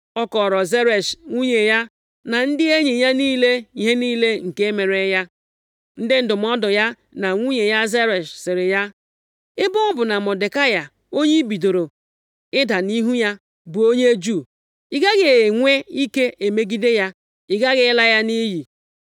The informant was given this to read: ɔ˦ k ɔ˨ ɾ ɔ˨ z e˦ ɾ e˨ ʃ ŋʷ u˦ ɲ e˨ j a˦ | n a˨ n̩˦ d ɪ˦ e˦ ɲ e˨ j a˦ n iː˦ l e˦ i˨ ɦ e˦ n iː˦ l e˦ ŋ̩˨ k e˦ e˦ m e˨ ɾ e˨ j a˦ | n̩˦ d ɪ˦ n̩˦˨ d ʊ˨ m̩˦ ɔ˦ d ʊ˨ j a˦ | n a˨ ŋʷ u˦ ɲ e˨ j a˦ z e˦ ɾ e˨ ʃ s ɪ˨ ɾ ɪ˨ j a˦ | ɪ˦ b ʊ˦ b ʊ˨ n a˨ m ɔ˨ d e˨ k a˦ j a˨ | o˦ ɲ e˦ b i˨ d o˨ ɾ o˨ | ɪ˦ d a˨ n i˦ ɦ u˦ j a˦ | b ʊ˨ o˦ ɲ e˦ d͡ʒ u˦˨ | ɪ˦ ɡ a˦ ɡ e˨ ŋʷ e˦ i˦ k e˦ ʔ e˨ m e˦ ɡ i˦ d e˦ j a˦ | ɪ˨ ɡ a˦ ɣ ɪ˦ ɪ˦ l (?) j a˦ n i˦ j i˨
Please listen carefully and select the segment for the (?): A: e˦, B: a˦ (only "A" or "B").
B